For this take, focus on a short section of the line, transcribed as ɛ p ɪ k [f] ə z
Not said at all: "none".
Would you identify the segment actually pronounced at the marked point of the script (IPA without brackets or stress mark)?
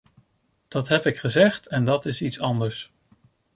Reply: χ